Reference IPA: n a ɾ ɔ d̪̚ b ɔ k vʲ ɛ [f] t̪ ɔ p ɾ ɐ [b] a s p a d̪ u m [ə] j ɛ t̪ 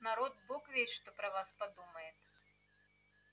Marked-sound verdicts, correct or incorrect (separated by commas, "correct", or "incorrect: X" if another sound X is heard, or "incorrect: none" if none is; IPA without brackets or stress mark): incorrect: ʂ, incorrect: v, incorrect: ɐ